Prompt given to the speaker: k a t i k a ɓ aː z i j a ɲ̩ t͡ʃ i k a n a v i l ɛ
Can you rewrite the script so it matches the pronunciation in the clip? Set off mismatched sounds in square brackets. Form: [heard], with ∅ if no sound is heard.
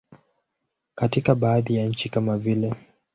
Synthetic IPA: k a t i k a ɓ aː [ð] i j a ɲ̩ t͡ʃ i k a [m] a v i l ɛ